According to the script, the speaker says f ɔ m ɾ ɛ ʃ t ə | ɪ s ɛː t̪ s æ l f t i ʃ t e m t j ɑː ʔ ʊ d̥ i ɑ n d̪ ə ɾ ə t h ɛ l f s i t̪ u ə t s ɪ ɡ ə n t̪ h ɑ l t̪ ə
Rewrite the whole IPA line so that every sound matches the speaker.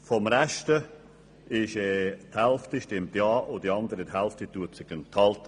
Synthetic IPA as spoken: f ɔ m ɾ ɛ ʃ t ə | ɪ ʃ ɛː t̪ h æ l f t i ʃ t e m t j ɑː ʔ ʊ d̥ i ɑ n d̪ ə ɾ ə t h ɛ l f t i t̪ u ə t s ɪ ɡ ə n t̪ h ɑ l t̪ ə